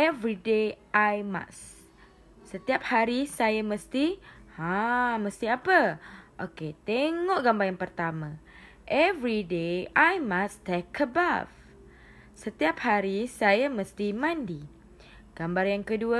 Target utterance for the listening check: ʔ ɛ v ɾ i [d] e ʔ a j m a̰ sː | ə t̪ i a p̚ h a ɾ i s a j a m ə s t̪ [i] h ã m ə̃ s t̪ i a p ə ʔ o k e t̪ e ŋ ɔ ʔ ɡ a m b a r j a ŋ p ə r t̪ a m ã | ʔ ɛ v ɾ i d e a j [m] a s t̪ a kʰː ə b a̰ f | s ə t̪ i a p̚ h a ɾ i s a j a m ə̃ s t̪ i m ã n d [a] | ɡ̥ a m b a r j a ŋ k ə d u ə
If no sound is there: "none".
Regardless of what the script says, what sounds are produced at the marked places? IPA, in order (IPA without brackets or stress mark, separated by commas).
d, i, m, i